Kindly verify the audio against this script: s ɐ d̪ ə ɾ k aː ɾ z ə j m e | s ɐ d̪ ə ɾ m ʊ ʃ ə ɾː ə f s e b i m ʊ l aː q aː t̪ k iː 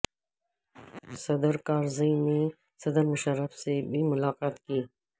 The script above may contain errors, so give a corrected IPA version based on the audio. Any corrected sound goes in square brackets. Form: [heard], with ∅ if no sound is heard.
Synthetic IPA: s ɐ d̪ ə ɾ k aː ɾ z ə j [n] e | s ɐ d̪ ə ɾ m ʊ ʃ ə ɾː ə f s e b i m ʊ l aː q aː t̪ k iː